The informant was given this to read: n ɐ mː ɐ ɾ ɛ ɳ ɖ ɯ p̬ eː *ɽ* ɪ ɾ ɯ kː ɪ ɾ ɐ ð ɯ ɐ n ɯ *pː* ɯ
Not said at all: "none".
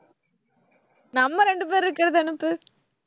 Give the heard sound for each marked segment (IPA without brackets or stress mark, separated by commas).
ɾ, pː